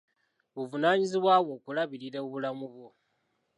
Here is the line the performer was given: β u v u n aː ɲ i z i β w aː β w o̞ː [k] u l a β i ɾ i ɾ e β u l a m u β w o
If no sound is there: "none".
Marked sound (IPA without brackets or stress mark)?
k